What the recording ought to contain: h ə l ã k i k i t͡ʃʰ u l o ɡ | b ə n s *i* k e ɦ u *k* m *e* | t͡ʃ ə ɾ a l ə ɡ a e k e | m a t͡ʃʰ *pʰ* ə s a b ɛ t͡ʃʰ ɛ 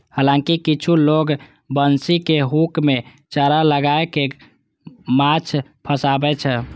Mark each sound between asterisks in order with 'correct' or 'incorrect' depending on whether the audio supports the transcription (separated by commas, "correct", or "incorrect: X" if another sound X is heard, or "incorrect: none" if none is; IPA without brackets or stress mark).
correct, correct, correct, correct